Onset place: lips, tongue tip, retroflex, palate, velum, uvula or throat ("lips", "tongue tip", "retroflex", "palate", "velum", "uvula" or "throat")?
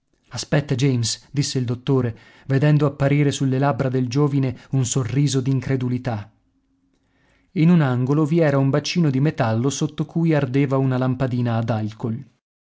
tongue tip